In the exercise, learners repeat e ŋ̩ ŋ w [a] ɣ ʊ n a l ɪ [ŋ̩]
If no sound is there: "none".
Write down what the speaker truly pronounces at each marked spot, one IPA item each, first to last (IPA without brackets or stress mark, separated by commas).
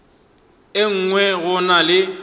ɛ, none